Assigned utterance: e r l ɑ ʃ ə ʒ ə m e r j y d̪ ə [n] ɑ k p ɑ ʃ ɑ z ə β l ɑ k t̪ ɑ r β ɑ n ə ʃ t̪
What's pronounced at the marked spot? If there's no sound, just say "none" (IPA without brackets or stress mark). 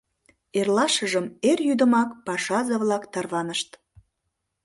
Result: m